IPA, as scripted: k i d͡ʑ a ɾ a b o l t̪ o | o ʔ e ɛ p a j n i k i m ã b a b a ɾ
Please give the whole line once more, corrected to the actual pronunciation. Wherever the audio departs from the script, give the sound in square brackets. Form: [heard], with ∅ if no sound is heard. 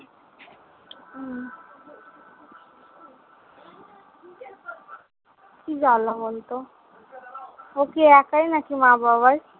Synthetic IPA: k i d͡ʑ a [l] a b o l t̪ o | o [k] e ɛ [k] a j n [a] k i m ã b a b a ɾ